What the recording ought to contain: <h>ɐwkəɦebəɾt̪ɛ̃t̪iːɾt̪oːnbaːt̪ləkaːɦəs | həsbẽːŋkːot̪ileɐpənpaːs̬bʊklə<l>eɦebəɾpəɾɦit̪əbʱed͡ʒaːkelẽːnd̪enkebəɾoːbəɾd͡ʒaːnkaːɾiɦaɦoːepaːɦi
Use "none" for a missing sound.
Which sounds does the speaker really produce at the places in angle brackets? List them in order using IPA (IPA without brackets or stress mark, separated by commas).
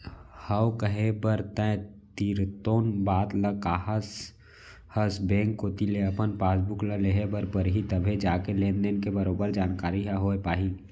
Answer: h, l